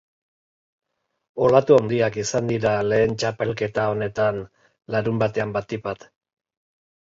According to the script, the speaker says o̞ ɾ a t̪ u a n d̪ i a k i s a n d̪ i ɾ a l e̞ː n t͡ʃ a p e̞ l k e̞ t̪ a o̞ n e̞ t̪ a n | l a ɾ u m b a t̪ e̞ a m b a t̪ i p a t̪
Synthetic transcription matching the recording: o̞ l a t̪ u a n d̪ i a k i s a n d̪ i ɾ a l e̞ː n t͡ʃ a p e̞ l k e̞ t̪ a o̞ n e̞ t̪ a n | l a ɾ u m b a t̪ e̞ a m b a t̪ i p a t̪

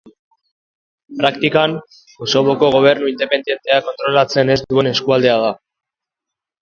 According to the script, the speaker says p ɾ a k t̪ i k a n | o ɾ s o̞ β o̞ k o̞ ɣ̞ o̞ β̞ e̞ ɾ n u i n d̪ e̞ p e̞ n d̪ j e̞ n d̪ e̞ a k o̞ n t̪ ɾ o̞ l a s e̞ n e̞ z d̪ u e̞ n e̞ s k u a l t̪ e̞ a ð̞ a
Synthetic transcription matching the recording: p ɾ a k t̪ i k a n | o s o̞ β o̞ k o̞ ɣ̞ o̞ β̞ e̞ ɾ n u i n d̪ e̞ p e̞ n d̪ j e̞ n t̪ e̞ a k o̞ n t̪ ɾ o̞ l a t͡s e̞ n e̞ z d̪ u e̞ n e̞ s k u a l d̪ e̞ a ð̞ a

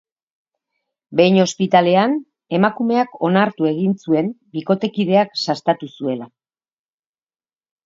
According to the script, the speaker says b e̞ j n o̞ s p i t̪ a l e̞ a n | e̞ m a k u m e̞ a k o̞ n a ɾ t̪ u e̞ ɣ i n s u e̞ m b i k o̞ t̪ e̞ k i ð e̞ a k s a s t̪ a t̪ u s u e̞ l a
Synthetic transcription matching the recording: b e̞ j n o̞ s p i t̪ a l e̞ a n | e̞ m a k u m e̞ a k o̞ n a ɾ t̪ u e̞ ɣ i n s u e̞ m b i k o̞ t̪ e̞ k i ð e̞ a k s a s t̪ a t̪ u s u e̞ l a

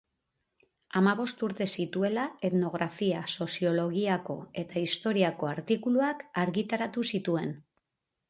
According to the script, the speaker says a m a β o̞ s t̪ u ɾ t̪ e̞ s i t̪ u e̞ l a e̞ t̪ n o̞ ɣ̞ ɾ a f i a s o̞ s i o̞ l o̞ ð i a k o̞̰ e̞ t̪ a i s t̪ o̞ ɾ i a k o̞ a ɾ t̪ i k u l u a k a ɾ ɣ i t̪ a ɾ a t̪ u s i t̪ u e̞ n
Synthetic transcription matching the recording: a m a β o̞ s t̪ u ɾ t̪ e̞ s i t̪ u e̞ l a e̞ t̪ n o̞ ɣ̞ ɾ a f i a s o̞ s i o̞ l o̞ ɣ i a k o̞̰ e̞ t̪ a i s t̪ o̞ ɾ i a k o̞ a ɾ t̪ i k u l u a k a ɾ ɣ i t̪ a ɾ a t̪ u s i t̪ u e̞ n

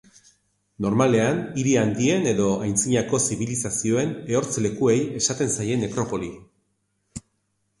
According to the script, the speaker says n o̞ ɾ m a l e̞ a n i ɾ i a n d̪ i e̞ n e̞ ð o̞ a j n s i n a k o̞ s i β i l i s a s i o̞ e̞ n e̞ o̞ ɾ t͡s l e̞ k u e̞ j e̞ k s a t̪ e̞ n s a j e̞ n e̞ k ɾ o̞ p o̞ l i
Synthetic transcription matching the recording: n o̞ ɾ m a l e̞ a n i ɾ i a n d̪ i e̞ n e̞ ð o̞ a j n t͡s i ɲ a k o̞ s i β i l i s a s i o̞ e̞ n e̞ o̞ ɾ t͡s l e̞ k u e̞ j e̞ s a t̪ e̞ n s a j e̞ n e̞ k ɾ o̞ p o̞ l i

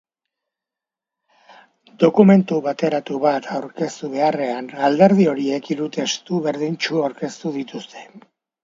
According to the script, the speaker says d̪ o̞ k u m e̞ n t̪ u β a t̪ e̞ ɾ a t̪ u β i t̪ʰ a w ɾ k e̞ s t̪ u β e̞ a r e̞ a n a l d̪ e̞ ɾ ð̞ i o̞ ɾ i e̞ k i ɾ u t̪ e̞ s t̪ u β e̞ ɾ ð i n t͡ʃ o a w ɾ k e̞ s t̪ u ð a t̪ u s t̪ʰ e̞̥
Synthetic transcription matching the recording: d̪ o̞ k u m e̞ n t̪ u β a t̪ e̞ ɾ a t̪ u β a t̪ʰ a w ɾ k e̞ s t̪ u β e̞ a r e̞ a n a l d̪ e̞ ɾ ð̞ i o̞ ɾ i e̞ k i ɾ u t̪ e̞ s t̪ u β e̞ ɾ ð i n t͡ʃ u a w ɾ k e̞ s t̪ u ð i t̪ u s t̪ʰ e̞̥

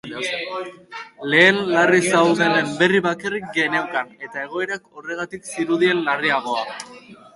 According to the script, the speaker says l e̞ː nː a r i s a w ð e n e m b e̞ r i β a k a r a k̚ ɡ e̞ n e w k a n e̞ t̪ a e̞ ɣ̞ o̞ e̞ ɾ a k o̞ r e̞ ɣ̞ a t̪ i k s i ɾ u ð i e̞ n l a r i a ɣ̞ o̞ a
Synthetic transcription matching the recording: l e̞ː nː a r i s a w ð e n e m b e̞ r i β a k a r i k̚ ɡ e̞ n e w k a n e̞ t̪ a e̞ ɣ̞ o̞ e̞ ɾ a k o̞ r e̞ ɣ̞ a t̪ i k s i ɾ u ð i e̞ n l a r i a ɣ̞ o̞ a

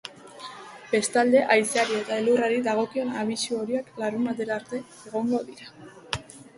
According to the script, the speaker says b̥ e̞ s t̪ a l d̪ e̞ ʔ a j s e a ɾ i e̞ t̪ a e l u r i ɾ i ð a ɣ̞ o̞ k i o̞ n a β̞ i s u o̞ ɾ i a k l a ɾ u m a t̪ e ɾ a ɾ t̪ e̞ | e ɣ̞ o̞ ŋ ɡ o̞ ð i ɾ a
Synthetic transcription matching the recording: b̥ e̞ s t̪ a l d̪ e̞ ʔ a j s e a ɾ i e̞ t̪ a e l u r a ɾ i ð a ɣ̞ o̞ k i o̞ n a β̞ i s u o̞ ɾ i a k l a ɾ u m a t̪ e ɾ a ɾ t̪ e̞ | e ɣ̞ o̞ ŋ ɡ o̞ ð i ɾ a

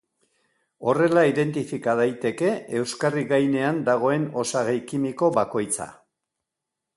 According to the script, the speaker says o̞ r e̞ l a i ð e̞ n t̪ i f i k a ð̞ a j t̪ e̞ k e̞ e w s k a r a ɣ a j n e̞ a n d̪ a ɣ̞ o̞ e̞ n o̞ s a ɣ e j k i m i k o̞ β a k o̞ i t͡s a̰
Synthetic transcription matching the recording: o̞ r e̞ l a i ð e̞ n t̪ i f i k a ð̞ a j t̪ e̞ k e̞ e w s k a r i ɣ a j n e̞ a n d̪ a ɣ̞ o̞ e̞ n o̞ s a ɣ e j k i m i k o̞ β a k o̞ j t͡s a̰

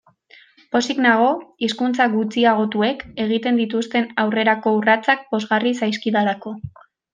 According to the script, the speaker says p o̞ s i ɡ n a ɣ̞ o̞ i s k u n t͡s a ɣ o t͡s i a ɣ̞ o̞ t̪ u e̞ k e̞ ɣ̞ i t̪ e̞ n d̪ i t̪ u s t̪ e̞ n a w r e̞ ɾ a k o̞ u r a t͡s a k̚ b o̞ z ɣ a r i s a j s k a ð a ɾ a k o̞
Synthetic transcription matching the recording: p o̞ s i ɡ n a ɣ̞ o̞ i s k u n t͡s a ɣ u t͡s i a ɣ̞ o̞ t̪ u e̞ k e̞ ɣ̞ i t̪ e̞ n d̪ i t̪ u s t̪ e̞ n a w r e̞ ɾ a k o̞ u r a t͡s a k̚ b o̞ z ɣ a r i s a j s k i ð a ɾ a k o̞

